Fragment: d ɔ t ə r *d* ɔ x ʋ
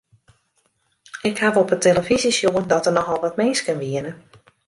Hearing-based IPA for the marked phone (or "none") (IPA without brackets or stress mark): n